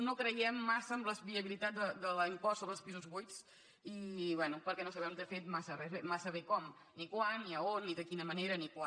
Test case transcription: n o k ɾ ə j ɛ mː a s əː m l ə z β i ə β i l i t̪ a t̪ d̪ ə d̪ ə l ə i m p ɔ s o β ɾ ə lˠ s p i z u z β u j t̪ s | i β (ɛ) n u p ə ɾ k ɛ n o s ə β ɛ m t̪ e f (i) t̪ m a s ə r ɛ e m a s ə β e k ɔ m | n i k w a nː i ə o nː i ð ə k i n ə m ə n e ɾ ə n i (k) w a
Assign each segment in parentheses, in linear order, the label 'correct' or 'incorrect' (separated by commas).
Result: correct, incorrect, correct